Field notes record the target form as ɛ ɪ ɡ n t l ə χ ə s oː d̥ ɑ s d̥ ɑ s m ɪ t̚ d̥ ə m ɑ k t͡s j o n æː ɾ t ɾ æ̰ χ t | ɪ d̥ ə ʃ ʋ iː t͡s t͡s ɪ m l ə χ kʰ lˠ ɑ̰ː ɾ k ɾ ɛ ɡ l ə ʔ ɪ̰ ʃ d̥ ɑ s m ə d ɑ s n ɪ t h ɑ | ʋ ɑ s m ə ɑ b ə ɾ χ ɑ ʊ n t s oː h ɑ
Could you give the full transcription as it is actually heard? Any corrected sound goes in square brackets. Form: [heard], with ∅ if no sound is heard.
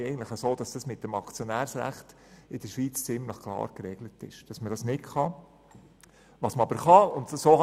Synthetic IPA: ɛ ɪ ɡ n t l ə χ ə s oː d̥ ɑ s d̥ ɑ s m ɪ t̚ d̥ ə m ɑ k t͡s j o n æː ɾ [s] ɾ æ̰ χ t | ɪ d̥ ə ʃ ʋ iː t͡s t͡s ɪ m l ə χ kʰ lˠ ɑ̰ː ɾ k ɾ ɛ ɡ l ə [t] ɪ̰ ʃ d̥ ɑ s m ə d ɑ s n ɪ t [χ] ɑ | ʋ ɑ s m ə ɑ b ə ɾ χ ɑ ʊ n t s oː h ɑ